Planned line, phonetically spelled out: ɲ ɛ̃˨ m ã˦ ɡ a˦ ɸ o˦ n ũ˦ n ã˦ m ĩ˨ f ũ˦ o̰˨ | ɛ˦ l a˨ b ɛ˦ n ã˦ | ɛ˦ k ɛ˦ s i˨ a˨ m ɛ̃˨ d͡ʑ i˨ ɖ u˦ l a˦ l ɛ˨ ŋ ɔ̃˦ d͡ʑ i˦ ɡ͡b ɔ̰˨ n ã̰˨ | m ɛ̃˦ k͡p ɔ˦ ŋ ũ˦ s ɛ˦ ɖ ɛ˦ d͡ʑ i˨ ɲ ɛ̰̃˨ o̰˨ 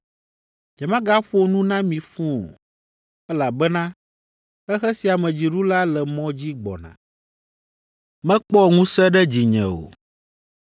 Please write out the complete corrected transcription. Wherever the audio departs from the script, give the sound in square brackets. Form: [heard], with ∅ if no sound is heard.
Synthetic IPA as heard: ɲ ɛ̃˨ m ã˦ ɡ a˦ ɸ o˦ n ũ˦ n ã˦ m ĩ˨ f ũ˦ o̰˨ | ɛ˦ l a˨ b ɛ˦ n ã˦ | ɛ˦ [x] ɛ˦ s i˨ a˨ m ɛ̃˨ d͡ʑ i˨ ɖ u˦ l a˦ l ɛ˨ [m] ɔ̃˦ d͡ʑ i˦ ɡ͡b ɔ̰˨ n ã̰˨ | m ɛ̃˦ k͡p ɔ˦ ŋ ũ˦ s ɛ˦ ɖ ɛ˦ d͡ʑ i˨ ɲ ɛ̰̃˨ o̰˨

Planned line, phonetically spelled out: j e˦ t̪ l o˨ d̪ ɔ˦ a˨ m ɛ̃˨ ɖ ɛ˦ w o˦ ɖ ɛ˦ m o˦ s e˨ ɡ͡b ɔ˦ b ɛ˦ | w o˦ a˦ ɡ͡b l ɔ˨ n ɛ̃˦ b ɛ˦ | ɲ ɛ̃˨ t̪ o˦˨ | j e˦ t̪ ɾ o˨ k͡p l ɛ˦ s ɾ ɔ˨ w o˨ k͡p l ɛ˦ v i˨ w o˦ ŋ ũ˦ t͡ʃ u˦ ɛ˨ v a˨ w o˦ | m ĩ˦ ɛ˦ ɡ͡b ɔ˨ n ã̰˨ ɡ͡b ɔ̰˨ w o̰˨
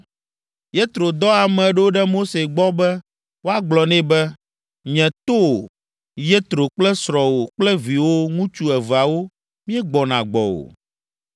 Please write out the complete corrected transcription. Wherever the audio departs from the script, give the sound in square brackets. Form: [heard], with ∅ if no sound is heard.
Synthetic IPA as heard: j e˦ t̪ [ɾ] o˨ d̪ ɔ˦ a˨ m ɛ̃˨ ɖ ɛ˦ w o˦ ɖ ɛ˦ m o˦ s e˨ ɡ͡b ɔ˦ b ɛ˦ | w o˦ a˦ ɡ͡b l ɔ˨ n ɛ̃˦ b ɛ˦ | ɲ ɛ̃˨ t̪ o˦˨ | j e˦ t̪ ɾ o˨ k͡p l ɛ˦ s ɾ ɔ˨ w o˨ k͡p l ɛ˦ v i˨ w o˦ ŋ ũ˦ t͡ʃ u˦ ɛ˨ v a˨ w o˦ | m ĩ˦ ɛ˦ ɡ͡b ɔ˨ n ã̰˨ ɡ͡b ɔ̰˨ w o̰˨

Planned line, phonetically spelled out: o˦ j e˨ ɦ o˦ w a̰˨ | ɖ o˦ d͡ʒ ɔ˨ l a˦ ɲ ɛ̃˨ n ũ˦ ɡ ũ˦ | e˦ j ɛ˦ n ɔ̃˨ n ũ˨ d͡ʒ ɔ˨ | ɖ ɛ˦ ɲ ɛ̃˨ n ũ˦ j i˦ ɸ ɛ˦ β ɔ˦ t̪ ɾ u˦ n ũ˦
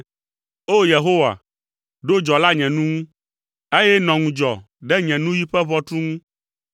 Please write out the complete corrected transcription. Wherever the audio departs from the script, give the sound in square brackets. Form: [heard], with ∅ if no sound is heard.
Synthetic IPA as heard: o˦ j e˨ ɦ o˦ w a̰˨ | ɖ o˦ d͡ʒ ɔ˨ l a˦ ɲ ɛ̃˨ n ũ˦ [ŋ] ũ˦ | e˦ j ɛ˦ n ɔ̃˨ [ŋ] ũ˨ d͡ʒ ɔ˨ | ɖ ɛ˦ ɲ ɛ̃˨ n ũ˦ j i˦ ɸ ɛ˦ β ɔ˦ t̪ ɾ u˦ [ŋ] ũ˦

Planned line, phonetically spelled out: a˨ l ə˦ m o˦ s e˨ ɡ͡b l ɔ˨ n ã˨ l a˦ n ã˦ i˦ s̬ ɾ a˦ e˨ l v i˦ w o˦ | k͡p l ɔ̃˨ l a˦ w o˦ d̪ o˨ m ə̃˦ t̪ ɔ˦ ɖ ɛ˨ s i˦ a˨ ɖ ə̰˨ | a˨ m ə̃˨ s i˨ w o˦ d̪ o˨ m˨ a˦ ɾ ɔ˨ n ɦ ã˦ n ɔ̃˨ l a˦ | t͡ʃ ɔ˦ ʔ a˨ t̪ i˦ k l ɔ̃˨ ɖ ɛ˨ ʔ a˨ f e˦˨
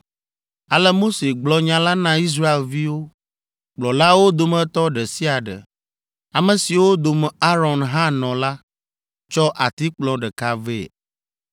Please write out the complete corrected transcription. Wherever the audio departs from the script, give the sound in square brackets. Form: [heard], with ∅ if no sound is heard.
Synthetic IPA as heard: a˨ l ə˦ m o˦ s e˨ ɡ͡b l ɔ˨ [ɲ] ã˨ l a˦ n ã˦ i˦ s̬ ɾ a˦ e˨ l v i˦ w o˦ | k͡p l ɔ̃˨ l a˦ w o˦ d̪ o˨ m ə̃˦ t̪ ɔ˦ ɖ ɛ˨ s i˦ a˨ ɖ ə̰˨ | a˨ m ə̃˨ s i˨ w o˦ d̪ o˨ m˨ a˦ ɾ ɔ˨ n ɦ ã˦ n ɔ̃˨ l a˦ | t͡ʃ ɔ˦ ʔ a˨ t̪ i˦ [k͡p] l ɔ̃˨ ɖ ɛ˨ [k] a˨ [v] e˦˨

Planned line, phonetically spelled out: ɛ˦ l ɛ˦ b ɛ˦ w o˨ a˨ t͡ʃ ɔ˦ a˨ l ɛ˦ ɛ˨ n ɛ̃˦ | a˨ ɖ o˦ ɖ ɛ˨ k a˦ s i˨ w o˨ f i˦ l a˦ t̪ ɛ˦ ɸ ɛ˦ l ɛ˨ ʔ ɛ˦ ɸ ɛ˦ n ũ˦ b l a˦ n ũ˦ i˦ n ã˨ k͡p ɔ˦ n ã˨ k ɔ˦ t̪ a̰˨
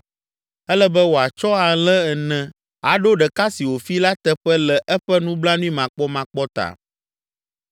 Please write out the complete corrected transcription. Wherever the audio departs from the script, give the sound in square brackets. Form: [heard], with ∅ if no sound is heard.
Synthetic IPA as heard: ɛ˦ l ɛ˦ b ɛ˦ w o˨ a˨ t͡ʃ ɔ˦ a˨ l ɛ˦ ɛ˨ n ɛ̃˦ | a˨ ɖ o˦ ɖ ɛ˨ k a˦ s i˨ w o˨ f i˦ l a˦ t̪ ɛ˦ ɸ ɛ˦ l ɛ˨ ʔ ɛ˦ ɸ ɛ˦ n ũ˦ b l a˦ n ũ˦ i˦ [m] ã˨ k͡p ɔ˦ [m] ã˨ [k͡p] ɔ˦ t̪ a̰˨

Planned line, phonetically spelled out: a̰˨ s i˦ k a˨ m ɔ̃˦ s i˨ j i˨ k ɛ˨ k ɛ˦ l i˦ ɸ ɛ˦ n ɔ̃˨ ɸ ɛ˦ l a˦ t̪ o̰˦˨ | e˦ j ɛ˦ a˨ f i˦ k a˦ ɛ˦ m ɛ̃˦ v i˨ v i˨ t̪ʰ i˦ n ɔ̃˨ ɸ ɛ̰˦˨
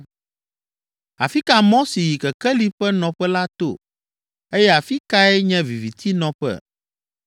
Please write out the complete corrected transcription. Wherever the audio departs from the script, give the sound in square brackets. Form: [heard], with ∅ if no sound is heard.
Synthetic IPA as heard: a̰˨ [f] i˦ k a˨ m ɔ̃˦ s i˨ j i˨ k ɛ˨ k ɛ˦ l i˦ ɸ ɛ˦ n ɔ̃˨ ɸ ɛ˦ l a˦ t̪ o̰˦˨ | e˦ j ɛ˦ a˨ f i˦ k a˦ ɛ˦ [ɲ] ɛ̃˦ v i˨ v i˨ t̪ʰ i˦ n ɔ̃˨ ɸ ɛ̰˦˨

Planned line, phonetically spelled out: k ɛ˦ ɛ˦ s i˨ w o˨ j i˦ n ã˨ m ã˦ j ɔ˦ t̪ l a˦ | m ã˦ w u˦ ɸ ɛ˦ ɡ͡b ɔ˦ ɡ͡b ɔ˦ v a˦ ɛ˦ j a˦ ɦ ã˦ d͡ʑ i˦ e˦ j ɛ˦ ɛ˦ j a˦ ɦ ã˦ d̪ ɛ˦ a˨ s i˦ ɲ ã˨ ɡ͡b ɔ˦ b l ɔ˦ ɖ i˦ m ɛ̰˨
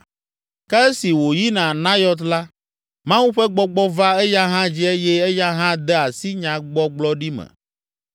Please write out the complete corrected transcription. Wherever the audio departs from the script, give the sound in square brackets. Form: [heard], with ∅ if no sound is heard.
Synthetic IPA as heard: k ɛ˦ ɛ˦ s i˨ w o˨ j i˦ n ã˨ [n] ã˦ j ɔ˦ t̪ l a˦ | m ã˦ w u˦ ɸ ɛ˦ ɡ͡b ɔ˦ ɡ͡b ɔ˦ v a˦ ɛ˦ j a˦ ɦ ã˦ d͡ʑ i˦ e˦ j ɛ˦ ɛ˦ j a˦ ɦ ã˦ d̪ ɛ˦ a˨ s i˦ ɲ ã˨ ɡ͡b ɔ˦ [ɡ͡b] l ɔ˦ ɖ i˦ m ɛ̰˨

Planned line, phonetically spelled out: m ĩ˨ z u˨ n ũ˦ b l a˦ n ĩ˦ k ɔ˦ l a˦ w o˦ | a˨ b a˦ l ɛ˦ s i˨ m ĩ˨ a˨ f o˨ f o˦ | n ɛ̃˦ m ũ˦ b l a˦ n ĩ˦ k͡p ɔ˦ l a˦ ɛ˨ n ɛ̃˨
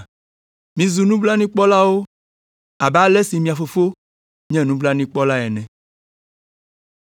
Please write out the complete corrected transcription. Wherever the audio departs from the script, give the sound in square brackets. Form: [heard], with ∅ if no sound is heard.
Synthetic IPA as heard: m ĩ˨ z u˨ n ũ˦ b l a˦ n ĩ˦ [k͡p] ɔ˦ l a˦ w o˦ | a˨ b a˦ l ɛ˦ s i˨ m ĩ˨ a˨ f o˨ f o˦ | [ɲ] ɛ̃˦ [n] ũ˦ b l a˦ n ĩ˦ k͡p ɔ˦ l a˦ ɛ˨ n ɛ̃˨

